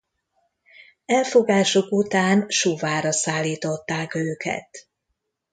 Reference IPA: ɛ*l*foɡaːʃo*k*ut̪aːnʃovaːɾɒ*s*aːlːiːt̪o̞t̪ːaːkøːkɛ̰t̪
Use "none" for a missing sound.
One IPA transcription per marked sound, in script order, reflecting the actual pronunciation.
l, k, s

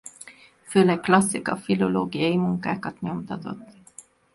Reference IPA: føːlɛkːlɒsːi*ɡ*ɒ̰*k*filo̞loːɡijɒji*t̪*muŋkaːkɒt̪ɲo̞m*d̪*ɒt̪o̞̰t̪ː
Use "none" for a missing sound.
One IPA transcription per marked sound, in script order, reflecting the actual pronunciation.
k, none, none, t̪

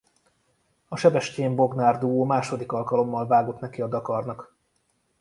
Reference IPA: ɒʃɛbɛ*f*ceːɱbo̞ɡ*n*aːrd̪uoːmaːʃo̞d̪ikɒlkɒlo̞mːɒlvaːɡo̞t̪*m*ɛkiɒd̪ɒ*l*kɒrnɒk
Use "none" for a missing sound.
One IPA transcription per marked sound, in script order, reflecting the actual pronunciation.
ʃ, n, n, none

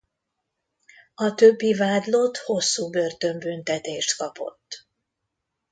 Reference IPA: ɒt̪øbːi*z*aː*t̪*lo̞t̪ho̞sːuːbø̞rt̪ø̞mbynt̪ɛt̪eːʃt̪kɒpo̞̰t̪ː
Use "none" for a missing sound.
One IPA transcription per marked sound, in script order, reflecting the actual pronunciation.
v, d̪

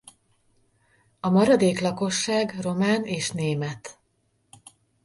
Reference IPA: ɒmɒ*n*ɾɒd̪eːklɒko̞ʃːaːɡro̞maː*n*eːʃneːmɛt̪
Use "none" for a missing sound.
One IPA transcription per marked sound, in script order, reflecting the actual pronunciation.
none, n

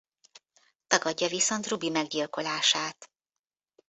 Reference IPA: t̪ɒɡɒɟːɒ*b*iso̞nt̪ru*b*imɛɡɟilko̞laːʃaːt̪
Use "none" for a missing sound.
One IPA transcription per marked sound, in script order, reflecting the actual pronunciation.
v, b

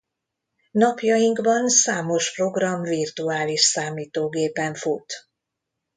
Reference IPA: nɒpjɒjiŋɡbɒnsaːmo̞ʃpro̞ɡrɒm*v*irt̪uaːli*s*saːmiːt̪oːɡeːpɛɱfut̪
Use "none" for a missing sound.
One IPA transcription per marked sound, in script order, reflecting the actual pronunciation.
v, ʃ

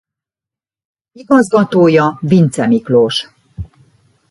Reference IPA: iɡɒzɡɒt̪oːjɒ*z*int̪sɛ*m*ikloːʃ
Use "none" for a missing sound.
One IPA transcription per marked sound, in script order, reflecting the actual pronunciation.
v, m

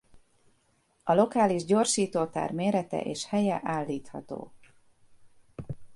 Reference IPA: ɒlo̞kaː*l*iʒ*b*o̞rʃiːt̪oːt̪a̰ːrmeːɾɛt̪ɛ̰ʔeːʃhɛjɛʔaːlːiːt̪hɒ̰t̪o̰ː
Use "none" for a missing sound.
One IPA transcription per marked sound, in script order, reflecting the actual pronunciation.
l, ɟ

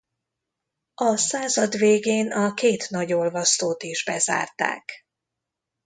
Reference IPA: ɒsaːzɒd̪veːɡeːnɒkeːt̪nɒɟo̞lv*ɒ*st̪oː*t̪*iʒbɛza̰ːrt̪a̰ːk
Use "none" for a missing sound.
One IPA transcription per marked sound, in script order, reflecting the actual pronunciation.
ɒ, t̪

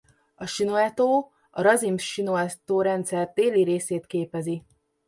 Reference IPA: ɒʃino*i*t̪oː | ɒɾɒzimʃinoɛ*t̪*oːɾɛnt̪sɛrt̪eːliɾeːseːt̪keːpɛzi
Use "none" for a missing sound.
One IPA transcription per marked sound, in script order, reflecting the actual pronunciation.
ɛ, t̪

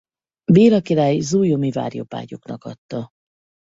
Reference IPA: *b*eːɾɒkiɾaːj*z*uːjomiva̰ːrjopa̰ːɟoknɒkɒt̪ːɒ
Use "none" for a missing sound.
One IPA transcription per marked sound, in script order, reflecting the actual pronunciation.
b, z

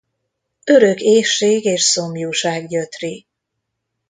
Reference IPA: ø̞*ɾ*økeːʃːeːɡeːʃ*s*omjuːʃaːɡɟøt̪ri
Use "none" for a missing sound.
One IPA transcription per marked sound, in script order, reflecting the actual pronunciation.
ɾ, s

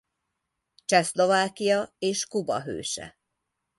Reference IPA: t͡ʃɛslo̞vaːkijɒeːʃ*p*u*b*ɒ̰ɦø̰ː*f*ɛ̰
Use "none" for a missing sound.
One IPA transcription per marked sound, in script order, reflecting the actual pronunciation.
k, b, ʃ

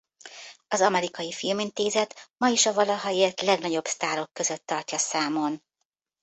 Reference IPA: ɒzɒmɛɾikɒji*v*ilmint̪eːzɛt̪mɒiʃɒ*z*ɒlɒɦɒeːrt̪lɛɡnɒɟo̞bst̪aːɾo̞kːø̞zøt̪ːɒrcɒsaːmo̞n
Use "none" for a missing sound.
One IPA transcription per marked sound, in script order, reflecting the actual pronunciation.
f, v

